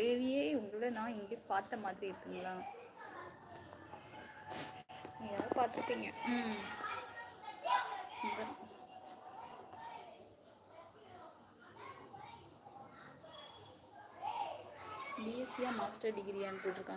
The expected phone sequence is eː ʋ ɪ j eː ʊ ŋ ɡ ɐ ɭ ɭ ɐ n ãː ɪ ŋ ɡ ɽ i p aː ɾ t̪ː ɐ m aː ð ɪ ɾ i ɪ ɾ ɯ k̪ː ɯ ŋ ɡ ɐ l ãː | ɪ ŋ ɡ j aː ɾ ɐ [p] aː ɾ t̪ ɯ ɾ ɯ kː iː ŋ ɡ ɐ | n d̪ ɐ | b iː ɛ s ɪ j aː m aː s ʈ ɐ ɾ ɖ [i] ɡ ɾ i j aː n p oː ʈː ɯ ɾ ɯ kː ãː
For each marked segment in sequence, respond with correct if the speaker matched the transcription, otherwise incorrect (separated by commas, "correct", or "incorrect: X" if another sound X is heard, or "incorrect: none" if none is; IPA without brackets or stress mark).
correct, incorrect: ɪ